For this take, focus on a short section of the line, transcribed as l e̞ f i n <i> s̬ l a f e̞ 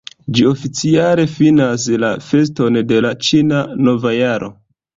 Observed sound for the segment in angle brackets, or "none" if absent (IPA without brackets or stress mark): a